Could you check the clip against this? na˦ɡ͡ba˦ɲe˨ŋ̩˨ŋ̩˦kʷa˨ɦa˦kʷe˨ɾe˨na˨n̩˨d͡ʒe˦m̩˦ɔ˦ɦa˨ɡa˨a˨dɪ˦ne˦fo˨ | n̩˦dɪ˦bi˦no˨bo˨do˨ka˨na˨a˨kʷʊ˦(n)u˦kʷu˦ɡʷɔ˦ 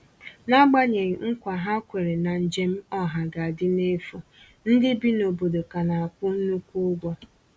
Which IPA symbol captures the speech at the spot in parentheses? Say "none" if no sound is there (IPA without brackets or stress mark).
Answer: n